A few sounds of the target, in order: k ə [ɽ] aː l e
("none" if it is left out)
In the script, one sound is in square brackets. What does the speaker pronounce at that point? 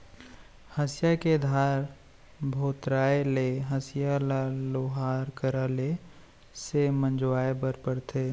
ɾ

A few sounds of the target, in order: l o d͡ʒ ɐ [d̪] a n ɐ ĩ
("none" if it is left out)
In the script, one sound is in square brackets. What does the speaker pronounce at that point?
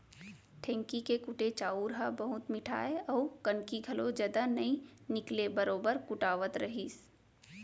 d̪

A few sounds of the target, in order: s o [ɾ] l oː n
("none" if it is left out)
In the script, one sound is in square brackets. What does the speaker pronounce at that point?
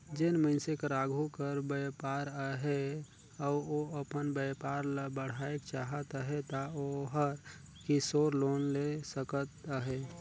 ɾ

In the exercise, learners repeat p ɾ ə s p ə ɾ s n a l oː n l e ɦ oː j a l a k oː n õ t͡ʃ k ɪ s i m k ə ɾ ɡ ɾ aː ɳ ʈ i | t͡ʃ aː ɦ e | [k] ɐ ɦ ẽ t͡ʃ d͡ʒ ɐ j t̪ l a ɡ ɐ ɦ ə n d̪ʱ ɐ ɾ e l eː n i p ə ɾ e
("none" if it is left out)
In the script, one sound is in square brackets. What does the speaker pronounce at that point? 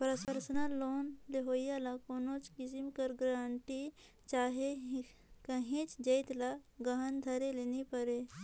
k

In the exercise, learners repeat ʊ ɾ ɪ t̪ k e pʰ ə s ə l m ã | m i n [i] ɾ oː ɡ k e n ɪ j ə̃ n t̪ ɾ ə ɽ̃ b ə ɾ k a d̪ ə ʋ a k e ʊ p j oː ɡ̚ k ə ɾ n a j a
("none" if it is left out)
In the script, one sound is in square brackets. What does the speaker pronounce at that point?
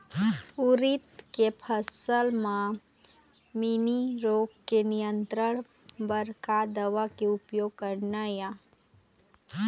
i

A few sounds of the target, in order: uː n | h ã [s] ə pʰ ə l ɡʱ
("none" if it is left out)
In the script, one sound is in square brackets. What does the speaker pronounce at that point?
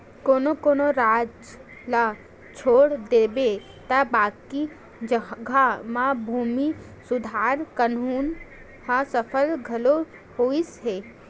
s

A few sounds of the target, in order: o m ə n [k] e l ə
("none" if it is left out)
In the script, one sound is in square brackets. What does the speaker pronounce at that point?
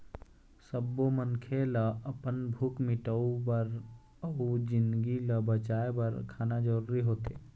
kʰ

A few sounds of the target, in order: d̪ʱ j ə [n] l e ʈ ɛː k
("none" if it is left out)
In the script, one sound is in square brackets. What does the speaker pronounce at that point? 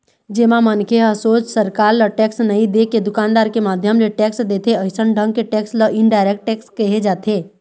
m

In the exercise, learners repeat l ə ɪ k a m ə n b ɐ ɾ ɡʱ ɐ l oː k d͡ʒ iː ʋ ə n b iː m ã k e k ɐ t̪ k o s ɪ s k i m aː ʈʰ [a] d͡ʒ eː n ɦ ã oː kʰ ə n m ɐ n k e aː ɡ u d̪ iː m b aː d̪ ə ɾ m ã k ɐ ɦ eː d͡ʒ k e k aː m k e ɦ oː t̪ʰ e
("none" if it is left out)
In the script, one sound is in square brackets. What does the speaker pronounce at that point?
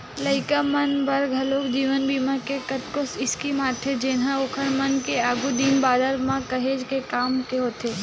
e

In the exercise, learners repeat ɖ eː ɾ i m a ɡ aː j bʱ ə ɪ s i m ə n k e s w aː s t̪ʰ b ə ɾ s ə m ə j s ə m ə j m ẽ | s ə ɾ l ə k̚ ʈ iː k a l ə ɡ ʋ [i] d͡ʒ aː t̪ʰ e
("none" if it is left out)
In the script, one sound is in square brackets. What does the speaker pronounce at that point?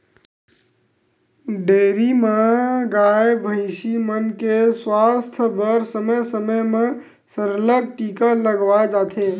a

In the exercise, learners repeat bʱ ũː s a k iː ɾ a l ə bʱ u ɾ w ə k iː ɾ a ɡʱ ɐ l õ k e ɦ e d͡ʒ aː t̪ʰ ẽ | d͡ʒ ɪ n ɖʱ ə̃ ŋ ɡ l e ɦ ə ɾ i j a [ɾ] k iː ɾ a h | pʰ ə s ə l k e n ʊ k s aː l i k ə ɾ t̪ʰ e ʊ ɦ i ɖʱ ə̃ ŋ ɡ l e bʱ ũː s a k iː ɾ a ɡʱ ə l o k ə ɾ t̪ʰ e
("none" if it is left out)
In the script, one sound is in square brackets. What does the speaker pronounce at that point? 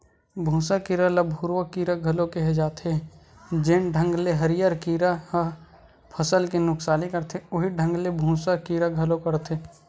ɾ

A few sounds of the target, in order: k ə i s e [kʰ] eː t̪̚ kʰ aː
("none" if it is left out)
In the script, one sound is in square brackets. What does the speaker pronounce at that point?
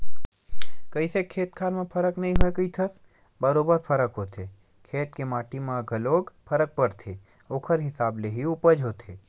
kʰ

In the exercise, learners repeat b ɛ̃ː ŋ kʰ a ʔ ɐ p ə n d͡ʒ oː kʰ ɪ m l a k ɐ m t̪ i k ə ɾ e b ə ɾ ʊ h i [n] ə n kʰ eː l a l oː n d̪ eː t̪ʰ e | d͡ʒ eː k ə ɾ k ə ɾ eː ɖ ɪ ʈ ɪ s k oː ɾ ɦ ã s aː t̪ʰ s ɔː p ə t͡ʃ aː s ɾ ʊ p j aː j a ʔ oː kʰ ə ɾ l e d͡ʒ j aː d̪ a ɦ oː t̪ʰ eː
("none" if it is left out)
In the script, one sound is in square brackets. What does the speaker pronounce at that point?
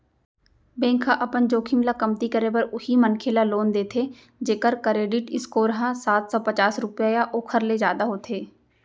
m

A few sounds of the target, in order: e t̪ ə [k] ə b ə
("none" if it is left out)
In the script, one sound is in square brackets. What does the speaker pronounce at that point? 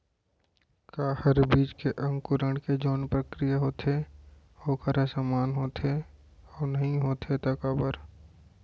k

